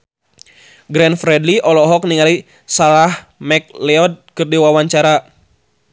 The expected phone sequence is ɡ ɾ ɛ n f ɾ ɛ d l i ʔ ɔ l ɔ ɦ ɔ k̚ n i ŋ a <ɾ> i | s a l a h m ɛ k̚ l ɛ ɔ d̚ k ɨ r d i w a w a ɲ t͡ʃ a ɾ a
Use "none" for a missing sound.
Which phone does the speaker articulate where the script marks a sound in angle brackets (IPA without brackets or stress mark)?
l